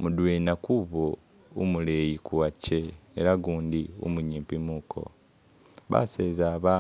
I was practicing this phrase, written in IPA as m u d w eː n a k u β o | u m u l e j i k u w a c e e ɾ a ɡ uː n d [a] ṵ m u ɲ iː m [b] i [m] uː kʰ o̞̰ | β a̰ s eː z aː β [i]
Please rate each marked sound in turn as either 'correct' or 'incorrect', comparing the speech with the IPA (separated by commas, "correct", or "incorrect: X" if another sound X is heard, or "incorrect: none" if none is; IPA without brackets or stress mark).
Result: incorrect: i, incorrect: p, correct, incorrect: a